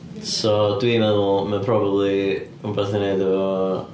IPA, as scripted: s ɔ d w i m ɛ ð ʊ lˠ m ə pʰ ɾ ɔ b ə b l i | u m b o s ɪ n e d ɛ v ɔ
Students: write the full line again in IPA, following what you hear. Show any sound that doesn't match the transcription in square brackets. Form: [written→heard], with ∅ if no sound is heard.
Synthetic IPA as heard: s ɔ d w i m ɛ ð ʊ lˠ m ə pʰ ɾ ɔ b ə b l i | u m b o [s→θ] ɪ n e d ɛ v ɔ